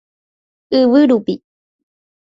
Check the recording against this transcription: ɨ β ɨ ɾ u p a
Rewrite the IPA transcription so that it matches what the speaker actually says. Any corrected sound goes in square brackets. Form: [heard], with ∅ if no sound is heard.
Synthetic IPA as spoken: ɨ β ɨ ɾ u p [i]